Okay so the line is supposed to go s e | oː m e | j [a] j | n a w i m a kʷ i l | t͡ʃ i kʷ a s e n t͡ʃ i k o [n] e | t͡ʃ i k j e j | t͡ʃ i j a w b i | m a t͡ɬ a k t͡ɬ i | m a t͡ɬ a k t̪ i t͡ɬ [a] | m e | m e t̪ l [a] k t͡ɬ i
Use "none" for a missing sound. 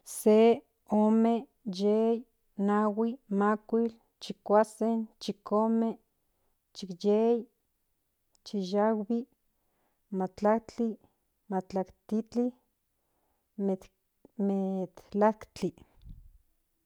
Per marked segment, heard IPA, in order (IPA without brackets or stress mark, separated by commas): e, m, i, a